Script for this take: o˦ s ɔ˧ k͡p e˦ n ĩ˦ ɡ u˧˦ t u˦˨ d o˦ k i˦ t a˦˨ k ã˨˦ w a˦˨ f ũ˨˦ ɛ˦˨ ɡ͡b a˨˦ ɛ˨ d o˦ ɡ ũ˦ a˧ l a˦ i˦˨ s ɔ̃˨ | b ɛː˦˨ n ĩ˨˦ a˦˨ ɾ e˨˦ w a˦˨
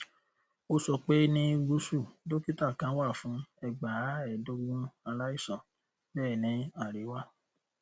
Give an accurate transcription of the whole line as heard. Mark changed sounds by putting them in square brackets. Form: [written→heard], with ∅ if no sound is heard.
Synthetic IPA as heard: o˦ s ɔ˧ k͡p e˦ n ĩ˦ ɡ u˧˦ [t→s] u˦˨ d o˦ k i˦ t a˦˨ k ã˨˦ w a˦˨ f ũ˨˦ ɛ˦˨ ɡ͡b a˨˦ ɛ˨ d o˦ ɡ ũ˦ a˧ l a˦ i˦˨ s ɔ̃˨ | b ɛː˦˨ n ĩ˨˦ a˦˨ ɾ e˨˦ w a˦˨